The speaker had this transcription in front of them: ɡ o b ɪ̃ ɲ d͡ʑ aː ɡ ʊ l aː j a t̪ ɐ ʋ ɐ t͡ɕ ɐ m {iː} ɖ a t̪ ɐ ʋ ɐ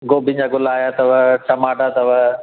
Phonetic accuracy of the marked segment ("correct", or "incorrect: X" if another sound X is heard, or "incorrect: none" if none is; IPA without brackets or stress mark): incorrect: aː